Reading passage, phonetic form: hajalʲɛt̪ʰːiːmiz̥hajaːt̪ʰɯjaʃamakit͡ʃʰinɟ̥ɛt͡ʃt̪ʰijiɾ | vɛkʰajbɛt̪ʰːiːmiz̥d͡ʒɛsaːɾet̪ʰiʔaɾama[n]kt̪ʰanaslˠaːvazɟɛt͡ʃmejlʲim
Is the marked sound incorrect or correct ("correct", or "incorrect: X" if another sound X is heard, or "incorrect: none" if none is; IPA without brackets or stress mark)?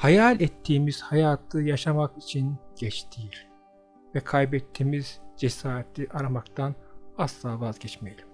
incorrect: none